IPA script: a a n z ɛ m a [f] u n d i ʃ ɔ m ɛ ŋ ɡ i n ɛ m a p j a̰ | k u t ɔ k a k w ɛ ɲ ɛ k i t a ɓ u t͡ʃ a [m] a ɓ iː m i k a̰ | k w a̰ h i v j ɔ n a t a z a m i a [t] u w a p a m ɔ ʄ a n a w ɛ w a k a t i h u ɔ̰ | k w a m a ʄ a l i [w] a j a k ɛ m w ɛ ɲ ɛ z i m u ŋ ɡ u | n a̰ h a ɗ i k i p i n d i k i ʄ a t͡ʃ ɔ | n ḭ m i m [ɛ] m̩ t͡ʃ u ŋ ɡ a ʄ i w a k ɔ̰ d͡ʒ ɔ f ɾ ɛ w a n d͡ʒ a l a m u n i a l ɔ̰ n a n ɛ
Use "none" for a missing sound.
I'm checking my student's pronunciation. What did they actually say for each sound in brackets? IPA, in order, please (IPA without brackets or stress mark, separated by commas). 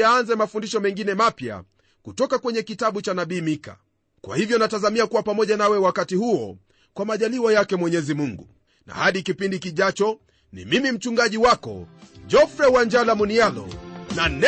f, n, k, w, i